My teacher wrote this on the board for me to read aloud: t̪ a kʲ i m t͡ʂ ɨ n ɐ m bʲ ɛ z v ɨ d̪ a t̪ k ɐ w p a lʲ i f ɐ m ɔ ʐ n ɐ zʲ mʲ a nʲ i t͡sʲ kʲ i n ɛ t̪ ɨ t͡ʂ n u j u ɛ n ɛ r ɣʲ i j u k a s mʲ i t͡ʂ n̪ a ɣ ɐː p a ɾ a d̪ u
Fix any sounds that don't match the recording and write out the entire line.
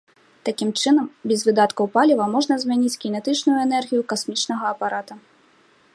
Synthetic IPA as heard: t̪ a kʲ i m t͡ʂ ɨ n ɐ m bʲ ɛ z v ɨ d̪ a t̪ k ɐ w p a lʲ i v ɐ m ɔ ʐ n ɐ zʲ mʲ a nʲ i t͡sʲ kʲ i n ɛ t̪ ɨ t͡ʂ n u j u ɛ n ɛ r ɣʲ i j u k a s mʲ i t͡ʂ n̪ ɐ ɣ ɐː p a ɾ a t̪ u